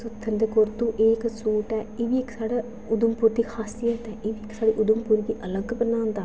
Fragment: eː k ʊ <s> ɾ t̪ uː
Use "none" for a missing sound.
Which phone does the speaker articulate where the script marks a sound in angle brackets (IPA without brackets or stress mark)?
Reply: none